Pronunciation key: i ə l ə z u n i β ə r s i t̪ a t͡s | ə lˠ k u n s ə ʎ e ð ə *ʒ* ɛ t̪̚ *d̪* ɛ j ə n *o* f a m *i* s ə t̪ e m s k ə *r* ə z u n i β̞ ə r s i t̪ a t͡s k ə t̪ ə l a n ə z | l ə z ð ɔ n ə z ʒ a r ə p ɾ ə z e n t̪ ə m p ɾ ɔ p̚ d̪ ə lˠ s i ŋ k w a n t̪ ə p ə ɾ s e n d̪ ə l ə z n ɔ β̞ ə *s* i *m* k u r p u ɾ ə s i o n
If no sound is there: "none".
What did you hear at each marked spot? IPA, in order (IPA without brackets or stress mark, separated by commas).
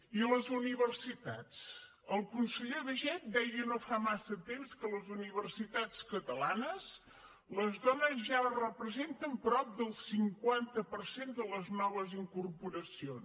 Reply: ʒ, d̪, o, a, l, z, ŋ